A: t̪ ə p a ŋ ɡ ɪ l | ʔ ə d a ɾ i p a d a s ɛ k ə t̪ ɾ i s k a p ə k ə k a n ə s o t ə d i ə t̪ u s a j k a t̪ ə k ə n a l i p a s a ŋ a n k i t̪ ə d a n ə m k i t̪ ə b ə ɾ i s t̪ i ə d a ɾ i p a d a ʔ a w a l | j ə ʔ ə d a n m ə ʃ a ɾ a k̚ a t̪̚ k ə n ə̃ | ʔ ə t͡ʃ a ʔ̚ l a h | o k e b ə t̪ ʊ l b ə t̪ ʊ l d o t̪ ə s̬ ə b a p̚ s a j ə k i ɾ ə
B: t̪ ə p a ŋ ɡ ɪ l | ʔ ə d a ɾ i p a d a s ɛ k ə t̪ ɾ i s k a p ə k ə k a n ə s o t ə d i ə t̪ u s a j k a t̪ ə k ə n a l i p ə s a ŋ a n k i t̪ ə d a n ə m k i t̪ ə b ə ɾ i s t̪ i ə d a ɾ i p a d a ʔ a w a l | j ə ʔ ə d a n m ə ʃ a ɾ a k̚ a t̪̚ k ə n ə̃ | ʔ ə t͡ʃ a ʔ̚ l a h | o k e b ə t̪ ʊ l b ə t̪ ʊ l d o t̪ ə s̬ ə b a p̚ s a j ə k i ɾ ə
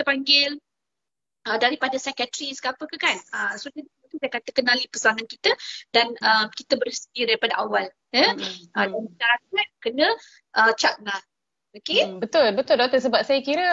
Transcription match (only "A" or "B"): B